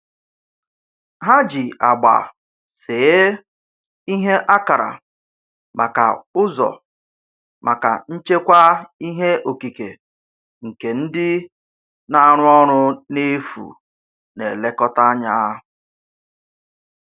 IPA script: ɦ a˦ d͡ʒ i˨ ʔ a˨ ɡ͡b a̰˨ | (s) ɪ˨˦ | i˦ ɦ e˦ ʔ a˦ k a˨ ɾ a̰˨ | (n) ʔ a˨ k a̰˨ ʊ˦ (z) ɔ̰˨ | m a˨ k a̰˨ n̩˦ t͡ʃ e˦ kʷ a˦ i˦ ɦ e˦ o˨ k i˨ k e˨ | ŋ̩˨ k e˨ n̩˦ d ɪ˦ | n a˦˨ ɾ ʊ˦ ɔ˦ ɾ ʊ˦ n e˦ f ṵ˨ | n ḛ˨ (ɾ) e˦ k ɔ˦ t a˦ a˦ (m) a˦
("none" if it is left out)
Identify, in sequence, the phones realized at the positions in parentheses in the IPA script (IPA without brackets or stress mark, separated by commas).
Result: s, m, z, l, ɲ